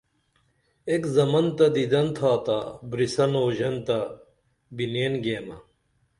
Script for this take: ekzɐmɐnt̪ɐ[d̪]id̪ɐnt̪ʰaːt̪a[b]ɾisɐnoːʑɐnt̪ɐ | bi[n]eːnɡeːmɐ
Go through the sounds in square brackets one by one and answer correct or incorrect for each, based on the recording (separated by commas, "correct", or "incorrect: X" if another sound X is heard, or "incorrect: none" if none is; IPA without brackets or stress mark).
correct, correct, correct